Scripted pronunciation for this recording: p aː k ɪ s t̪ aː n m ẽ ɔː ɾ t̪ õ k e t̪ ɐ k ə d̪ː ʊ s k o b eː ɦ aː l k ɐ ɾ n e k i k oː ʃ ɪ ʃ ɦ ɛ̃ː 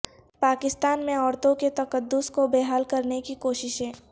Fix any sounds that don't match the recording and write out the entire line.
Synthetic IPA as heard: p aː k ɪ s t̪ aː n m ẽ ɔː ɾ t̪ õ k e t̪ ɐ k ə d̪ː ʊ s k o b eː ɦ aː l k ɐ ɾ n e k i k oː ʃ ɪ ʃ ɦ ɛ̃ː